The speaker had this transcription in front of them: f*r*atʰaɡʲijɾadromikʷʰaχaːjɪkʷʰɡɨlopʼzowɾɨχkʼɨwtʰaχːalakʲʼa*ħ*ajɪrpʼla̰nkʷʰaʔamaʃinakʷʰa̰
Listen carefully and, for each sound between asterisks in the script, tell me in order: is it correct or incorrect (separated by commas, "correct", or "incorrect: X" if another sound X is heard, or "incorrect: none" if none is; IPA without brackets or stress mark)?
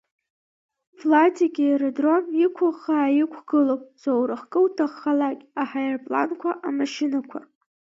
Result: incorrect: l, correct